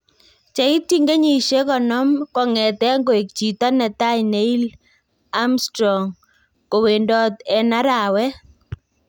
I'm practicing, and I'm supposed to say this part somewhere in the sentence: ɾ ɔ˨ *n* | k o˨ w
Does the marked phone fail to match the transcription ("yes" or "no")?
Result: yes